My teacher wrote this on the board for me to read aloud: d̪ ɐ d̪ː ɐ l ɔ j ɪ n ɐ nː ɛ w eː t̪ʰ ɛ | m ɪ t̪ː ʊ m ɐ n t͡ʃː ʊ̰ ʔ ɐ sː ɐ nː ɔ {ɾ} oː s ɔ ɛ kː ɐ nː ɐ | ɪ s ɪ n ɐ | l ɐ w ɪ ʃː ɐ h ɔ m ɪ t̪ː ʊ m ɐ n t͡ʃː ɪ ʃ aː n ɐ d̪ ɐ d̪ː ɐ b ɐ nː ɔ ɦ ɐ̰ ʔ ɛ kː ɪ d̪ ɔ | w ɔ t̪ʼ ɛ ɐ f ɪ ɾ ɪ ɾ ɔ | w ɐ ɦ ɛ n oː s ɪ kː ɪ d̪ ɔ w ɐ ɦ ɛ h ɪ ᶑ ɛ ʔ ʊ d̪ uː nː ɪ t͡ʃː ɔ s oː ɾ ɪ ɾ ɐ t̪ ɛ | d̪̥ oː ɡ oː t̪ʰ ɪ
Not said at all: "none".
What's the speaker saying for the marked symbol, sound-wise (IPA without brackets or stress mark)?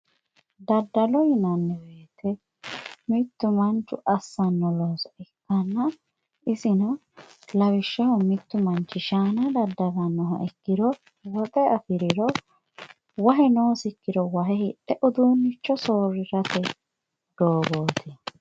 l